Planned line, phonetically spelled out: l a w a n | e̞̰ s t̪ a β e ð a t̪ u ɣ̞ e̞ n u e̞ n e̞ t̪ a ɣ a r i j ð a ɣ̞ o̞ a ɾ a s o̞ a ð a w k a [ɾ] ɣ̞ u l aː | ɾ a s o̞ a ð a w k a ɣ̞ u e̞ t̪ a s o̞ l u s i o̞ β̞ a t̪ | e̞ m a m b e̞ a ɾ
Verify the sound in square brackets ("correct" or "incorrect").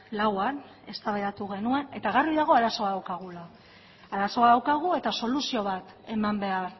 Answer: incorrect